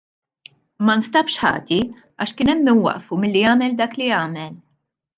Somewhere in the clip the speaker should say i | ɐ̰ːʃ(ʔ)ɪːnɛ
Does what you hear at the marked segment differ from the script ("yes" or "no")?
yes